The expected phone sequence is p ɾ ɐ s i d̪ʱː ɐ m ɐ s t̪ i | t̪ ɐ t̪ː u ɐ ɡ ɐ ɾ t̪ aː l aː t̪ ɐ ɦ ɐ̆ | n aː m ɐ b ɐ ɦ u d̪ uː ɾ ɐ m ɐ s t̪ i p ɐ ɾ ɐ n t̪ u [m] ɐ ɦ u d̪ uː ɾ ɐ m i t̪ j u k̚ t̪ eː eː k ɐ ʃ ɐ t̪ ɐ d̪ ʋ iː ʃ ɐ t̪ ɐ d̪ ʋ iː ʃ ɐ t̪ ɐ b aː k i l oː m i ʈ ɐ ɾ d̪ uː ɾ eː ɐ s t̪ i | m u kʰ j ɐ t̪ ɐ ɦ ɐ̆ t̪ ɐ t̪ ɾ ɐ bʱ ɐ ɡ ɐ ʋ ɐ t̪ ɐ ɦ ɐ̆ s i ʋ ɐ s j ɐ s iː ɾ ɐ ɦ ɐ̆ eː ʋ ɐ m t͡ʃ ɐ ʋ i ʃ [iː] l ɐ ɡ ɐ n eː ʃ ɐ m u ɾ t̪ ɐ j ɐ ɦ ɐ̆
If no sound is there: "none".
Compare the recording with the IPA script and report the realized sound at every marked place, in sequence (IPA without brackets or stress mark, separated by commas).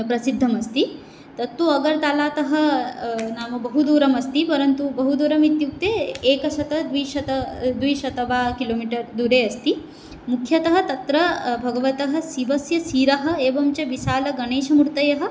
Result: b, aː